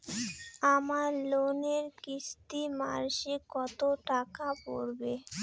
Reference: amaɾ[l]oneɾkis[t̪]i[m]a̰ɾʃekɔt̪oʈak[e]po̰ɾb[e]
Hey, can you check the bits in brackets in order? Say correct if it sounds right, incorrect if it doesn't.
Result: correct, correct, correct, incorrect: a, correct

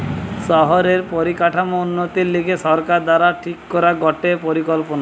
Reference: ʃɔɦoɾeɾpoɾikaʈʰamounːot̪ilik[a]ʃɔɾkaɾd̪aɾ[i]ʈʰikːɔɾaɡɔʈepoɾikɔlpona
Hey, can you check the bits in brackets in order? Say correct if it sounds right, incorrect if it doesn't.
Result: incorrect: e, incorrect: a

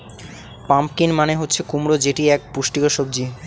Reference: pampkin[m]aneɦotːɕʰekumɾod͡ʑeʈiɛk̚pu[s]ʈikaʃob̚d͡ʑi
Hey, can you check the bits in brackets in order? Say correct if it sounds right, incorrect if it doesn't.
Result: correct, incorrect: ʃ

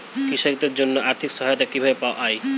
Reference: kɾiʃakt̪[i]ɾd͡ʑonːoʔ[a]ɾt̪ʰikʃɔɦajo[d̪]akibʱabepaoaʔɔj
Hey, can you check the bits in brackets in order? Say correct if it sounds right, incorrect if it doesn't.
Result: incorrect: e, correct, incorrect: t̪

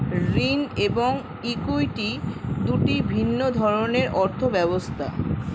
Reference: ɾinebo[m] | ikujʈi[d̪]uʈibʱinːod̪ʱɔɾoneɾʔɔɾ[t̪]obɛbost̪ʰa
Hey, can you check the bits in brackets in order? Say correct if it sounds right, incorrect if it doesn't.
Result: incorrect: ŋ, correct, incorrect: t̪ʰ

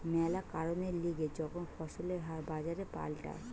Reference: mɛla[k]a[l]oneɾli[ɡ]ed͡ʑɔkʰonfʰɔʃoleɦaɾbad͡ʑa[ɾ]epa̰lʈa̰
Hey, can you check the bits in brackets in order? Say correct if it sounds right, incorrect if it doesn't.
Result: correct, incorrect: ɾ, correct, correct

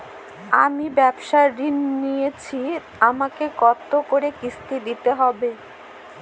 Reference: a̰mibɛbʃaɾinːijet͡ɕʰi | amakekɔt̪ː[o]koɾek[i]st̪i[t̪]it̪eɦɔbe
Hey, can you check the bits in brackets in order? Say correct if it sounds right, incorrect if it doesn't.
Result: correct, correct, incorrect: d̪

